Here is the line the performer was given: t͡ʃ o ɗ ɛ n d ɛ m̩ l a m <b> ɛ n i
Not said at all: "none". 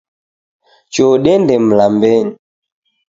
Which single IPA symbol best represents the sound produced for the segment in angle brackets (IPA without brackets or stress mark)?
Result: b